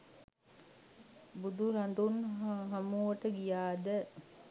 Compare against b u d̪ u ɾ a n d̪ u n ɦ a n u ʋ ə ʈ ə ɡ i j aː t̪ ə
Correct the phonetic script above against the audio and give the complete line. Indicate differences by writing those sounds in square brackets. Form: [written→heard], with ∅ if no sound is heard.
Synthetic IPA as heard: b u d̪ u ɾ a n d̪ u n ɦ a [n→m] u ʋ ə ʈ ə ɡ i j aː [t̪→d̪] ə